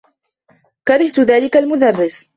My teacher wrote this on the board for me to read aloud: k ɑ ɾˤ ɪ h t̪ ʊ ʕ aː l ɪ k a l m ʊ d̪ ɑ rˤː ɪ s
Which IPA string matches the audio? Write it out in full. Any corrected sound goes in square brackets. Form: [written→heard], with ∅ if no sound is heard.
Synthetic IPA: k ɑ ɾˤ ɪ h t̪ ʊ [ʕ→ð] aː l ɪ k a l m ʊ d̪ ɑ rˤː ɪ s